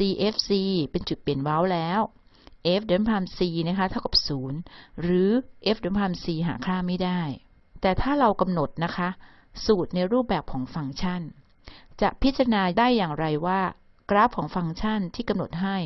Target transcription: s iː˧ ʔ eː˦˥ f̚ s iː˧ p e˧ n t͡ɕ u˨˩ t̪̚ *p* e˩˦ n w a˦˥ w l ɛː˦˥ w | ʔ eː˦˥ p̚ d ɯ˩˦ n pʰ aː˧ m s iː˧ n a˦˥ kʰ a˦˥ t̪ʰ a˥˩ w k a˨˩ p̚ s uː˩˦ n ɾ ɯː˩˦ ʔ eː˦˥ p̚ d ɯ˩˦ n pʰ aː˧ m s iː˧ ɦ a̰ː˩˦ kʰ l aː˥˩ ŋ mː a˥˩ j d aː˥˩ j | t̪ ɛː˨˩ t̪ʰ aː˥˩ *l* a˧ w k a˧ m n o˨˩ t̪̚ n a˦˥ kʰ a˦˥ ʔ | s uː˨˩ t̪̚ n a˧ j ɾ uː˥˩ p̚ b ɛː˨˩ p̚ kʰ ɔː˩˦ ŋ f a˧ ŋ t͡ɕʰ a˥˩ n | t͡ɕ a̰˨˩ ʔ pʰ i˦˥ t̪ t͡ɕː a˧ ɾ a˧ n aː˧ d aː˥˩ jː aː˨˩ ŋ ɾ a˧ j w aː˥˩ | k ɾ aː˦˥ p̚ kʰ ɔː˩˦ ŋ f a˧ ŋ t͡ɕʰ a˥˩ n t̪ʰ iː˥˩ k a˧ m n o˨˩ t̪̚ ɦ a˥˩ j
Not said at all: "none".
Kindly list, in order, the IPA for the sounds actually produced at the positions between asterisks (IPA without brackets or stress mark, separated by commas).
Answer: p, ɾ